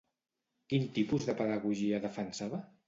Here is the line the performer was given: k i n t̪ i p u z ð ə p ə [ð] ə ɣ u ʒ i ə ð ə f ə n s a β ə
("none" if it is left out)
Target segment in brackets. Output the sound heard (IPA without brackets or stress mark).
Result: ð